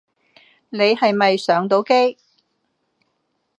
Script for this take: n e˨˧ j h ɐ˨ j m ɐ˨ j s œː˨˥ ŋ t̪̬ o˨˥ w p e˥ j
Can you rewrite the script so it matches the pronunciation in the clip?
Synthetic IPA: n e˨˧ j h ɐ˨ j m ɐ˨ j s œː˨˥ ŋ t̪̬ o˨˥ w k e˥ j

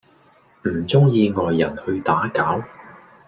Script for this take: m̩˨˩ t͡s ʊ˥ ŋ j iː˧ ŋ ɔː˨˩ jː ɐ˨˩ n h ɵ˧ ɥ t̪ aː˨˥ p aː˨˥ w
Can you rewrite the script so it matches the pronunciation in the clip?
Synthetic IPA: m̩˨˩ t͡s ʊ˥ ŋ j iː˧ ŋ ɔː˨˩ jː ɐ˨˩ n h ɵ˧ ɥ t̪ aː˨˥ k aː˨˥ w

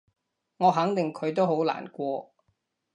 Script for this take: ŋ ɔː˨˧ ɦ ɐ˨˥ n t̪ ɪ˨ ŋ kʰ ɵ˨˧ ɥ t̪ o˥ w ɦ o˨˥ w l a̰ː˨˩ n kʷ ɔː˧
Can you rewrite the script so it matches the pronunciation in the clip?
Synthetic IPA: ŋ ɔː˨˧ ɦ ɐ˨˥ ŋ t̪ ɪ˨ ŋ kʰ ɵ˨˧ ɥ t̪ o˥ w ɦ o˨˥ w l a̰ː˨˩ n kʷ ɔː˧

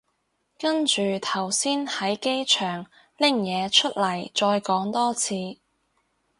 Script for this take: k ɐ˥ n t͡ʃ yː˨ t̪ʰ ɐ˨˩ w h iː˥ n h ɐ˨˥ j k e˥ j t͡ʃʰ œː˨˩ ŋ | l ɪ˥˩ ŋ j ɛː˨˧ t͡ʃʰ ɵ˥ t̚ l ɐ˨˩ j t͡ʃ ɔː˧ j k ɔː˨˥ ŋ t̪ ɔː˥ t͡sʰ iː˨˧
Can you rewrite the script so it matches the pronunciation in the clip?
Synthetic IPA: k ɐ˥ n t͡ʃ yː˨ t̪ʰ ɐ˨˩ w s iː˥ n h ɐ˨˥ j k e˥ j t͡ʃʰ œː˨˩ ŋ | l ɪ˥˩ ŋ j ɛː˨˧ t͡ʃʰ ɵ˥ t̚ l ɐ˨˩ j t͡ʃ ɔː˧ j k ɔː˨˥ ŋ t̪ ɔː˥ t͡sʰ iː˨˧

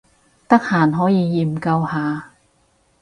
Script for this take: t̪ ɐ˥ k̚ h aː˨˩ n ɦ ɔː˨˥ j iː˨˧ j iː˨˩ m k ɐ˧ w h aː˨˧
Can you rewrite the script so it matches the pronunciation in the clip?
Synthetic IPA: t̪ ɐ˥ k̚ h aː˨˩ n ɦ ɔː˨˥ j iː˨˧ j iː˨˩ m k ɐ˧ w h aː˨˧

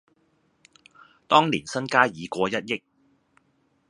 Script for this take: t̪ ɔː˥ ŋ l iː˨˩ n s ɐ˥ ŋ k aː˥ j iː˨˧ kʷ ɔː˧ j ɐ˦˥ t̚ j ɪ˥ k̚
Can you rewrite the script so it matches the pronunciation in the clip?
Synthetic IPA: t̪ ɔː˥ ŋ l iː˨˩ n s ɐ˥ n k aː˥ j iː˨˧ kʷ ɔː˧ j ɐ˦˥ t̚ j ɪ˥ k̚

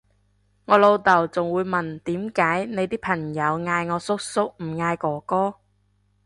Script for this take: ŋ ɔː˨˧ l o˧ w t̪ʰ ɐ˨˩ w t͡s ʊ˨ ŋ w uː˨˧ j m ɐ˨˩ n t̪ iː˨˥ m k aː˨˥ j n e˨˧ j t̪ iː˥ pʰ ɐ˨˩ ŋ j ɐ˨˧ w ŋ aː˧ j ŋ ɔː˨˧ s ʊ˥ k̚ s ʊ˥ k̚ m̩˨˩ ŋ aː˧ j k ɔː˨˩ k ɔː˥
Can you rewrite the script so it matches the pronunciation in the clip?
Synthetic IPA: ŋ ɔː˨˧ l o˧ w t̪ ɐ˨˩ w t͡s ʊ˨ ŋ w uː˨˧ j m ɐ˨˩ n t̪ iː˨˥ m k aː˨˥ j n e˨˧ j t̪ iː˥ pʰ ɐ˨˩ ŋ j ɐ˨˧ w ŋ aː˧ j ŋ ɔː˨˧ s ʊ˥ k̚ s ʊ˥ k̚ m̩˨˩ ŋ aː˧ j k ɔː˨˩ k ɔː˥

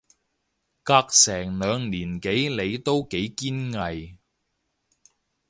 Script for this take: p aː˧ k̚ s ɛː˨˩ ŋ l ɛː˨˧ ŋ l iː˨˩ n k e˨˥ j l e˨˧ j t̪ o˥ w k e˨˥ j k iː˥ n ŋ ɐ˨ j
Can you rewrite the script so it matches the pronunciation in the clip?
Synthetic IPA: k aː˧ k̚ s ɛː˨˩ ŋ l œː˨˧ ŋ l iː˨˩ n k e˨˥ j l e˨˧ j t̪ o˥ w k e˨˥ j k iː˥ n ŋ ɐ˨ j

